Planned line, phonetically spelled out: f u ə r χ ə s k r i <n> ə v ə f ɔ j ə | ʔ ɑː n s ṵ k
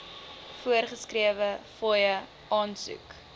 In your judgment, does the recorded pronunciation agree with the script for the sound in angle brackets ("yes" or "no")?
no